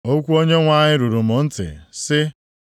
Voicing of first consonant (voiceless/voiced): voiceless